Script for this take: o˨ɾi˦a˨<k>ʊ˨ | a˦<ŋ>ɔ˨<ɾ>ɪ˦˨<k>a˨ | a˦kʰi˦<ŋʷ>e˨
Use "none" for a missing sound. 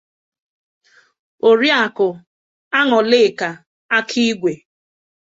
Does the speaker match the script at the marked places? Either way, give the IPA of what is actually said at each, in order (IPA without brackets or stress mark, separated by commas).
k, ŋ, l, k, ɡʷ